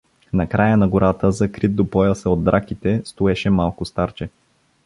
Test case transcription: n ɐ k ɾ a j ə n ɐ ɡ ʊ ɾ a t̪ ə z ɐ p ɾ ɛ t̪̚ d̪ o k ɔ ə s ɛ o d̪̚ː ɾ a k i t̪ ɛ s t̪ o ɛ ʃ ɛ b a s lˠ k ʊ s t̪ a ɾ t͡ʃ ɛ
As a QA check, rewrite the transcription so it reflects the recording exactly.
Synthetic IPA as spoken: n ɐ k ɾ a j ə n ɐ ɡ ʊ ɾ a t̪ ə z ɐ k ɾ i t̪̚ d̪ o p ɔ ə s ɛ o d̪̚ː ɾ a k i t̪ ɛ s t̪ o ɛ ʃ ɛ m a lˠ k ʊ s t̪ a ɾ t͡ʃ ɛ